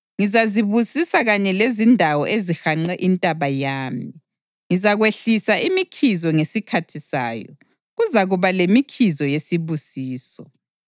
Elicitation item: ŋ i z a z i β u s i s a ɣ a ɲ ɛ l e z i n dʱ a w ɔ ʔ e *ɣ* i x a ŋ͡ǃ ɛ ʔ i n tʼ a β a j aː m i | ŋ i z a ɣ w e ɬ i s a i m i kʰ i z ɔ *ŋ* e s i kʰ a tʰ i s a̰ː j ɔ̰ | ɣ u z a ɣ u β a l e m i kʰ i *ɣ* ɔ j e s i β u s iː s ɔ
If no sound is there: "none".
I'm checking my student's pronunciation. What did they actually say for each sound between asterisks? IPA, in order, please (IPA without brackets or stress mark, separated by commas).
z, ŋ, z